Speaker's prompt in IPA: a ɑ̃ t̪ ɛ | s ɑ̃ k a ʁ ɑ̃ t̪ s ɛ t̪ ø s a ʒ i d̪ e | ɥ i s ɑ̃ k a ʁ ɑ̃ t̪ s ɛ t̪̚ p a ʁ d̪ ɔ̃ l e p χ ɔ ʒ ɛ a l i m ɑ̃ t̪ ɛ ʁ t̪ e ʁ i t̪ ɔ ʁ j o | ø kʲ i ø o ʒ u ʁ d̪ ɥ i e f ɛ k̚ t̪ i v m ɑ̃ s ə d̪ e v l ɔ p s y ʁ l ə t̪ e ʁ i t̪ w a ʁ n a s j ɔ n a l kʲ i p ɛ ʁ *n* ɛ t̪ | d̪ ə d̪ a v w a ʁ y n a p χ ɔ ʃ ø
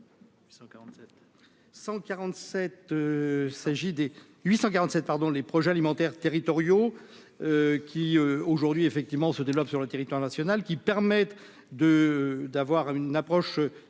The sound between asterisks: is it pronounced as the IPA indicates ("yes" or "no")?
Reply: no